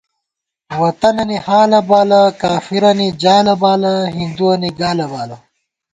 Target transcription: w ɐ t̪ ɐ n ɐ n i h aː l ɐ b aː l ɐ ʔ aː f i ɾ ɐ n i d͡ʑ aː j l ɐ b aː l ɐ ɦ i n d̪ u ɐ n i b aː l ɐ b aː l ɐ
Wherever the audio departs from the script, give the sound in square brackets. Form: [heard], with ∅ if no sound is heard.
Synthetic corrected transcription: w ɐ t̪ ɐ n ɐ n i h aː l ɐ b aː l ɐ [k] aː f i ɾ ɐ n i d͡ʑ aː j l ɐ b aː l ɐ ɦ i n d̪ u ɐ n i [ɡ] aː l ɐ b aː l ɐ